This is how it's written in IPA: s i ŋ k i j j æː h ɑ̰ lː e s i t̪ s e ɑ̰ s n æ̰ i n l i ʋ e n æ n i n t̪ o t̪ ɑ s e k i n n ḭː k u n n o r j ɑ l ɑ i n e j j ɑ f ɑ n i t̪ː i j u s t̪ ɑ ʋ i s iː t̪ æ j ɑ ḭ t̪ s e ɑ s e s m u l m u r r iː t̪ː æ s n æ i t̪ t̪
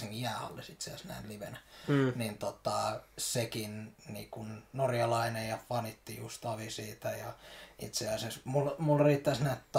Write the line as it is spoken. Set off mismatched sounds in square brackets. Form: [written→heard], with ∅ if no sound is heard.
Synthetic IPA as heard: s i ŋ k i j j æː h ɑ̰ lː e s i t̪ s e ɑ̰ s n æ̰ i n l i ʋ e n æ n i n t̪ o t̪ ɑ s e k i n n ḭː k u n n o r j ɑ l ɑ i n e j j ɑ f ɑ n i t̪ː i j u s t̪ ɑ ʋ i s iː t̪ æ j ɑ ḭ t̪ s e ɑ s e s m u l m u [r→l] r iː t̪ː æ s n æ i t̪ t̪